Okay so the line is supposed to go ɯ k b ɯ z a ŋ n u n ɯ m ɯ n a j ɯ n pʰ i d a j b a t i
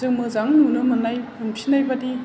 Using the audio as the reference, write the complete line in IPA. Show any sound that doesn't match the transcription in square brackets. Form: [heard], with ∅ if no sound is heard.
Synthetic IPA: ɯ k [m] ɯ z a ŋ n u n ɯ m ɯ n a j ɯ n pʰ i [n] a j b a [d] i